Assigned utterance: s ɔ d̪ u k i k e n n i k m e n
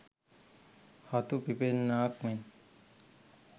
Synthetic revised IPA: h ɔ t̪ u p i p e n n a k m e n